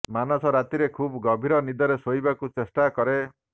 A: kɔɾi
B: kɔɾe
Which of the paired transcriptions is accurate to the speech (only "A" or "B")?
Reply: B